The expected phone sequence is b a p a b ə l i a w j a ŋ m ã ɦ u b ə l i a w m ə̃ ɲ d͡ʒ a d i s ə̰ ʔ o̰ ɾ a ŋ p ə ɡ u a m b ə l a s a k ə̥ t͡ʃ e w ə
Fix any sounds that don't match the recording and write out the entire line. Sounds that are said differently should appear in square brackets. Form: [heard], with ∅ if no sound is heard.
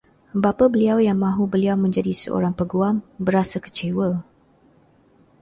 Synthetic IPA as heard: b a p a b ə l i a w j a ŋ m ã ɦ u b ə l i a w m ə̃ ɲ d͡ʒ a d i s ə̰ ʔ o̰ ɾ a ŋ p ə ɡ u a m b ə [ɾ] a s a k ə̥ t͡ʃ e w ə